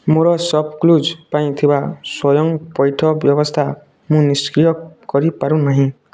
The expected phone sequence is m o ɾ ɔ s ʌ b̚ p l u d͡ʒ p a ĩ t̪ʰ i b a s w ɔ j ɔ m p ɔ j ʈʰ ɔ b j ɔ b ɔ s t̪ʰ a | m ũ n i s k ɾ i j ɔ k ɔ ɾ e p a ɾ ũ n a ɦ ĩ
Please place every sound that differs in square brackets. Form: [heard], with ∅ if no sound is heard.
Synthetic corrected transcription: m o ɾ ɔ s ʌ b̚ [k] l u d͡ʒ p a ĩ t̪ʰ i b a s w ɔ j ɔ [ŋ] p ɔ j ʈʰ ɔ b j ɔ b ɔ s t̪ʰ a | m ũ n i s k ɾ i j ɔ k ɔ ɾ [i] p a ɾ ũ n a ɦ ĩ